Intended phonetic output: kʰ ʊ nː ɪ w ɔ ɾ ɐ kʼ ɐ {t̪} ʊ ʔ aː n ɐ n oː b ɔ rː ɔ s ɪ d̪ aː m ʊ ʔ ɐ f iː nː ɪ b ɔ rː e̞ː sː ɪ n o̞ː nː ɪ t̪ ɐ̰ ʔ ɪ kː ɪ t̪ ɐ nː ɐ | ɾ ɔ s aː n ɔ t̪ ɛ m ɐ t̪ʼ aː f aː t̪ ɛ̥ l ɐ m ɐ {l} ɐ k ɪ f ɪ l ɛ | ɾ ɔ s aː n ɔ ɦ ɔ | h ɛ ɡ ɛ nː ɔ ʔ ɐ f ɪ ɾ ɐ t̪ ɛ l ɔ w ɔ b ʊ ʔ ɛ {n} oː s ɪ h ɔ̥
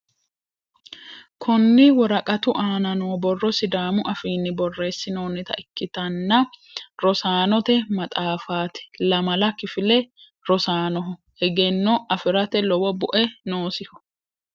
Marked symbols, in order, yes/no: yes, yes, yes

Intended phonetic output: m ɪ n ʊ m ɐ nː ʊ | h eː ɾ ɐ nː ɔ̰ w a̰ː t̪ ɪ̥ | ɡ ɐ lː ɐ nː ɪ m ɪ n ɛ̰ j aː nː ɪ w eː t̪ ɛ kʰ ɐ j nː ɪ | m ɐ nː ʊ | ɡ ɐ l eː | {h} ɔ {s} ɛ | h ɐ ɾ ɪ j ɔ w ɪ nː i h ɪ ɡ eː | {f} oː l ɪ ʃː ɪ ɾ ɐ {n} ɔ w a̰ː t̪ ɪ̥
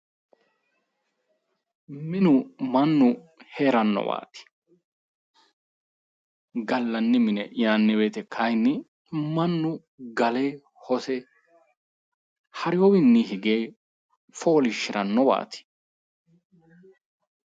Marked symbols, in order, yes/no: yes, yes, yes, no

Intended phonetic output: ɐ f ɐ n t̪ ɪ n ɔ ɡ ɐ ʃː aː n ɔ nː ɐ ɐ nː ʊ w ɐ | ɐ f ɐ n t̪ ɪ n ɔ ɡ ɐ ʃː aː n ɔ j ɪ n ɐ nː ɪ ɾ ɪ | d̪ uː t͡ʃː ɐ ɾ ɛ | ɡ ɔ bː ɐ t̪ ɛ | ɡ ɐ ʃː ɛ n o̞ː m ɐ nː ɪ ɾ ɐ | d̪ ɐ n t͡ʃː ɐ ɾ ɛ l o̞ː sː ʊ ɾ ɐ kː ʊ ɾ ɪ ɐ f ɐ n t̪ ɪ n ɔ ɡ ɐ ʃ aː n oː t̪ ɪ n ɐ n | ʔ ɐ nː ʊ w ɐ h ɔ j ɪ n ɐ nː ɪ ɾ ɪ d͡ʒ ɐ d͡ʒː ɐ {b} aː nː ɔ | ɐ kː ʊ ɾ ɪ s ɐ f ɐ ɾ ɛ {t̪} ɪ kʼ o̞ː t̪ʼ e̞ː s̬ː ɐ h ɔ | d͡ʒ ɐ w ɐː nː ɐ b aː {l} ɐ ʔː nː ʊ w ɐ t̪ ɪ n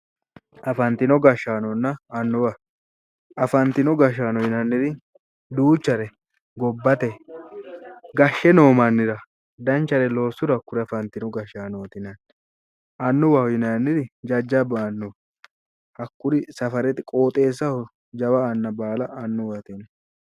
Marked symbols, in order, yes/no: yes, yes, yes

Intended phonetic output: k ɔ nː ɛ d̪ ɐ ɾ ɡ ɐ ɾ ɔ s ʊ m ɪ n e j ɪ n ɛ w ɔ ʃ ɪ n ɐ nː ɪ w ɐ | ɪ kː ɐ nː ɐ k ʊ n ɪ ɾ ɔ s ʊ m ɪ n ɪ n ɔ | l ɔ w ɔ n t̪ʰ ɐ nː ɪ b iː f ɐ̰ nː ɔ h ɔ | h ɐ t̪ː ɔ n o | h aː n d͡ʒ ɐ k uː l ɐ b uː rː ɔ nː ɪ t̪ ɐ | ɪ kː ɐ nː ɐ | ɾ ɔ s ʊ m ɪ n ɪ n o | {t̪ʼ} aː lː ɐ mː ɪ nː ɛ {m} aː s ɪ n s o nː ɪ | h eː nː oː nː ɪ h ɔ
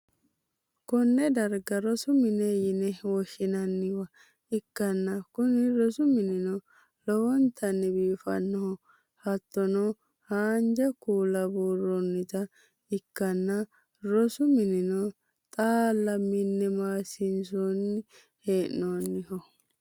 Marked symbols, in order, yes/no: yes, yes

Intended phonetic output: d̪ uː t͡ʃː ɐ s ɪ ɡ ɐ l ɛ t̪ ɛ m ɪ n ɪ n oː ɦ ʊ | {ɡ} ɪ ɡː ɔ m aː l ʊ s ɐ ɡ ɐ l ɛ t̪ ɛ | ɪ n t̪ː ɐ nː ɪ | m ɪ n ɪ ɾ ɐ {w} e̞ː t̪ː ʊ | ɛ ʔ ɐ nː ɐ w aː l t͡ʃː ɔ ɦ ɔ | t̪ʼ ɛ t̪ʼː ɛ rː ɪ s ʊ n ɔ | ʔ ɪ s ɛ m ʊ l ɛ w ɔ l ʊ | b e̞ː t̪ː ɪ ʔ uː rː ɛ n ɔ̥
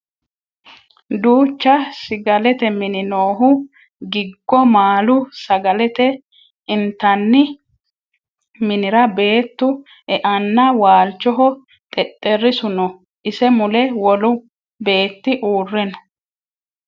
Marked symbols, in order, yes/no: yes, no

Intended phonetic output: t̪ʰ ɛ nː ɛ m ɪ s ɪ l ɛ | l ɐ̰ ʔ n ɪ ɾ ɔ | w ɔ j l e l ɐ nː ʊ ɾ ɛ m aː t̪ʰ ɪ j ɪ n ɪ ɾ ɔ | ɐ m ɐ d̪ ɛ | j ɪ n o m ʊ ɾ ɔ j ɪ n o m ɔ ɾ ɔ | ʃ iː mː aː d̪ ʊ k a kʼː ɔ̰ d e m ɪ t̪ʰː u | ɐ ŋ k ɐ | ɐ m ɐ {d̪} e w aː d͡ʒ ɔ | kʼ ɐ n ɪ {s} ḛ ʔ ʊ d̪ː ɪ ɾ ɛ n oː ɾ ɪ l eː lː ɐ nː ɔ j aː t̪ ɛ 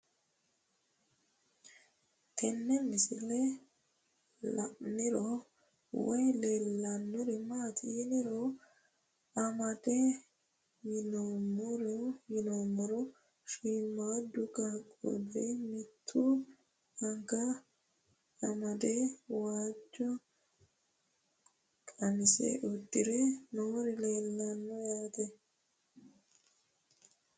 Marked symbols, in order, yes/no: yes, yes

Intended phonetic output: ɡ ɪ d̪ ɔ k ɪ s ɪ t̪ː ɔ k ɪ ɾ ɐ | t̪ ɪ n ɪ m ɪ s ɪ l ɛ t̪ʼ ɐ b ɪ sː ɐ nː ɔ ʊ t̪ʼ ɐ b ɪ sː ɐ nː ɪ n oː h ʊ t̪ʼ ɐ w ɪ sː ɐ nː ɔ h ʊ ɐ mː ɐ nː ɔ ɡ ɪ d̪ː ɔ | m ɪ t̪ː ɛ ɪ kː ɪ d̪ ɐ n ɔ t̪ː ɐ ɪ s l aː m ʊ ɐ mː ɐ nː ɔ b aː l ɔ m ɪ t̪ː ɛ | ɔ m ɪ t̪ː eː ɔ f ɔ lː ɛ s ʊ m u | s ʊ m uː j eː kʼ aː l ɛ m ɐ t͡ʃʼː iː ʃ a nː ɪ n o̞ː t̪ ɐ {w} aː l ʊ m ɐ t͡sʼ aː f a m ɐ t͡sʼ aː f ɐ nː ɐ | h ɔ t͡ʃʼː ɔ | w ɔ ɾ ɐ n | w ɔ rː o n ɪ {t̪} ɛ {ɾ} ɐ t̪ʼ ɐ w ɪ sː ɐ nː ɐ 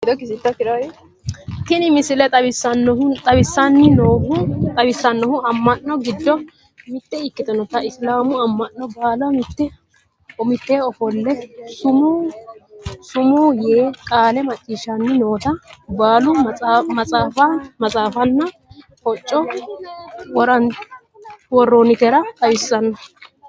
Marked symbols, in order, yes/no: no, yes, yes

